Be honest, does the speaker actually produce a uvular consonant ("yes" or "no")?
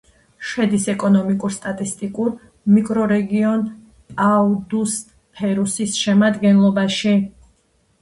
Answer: no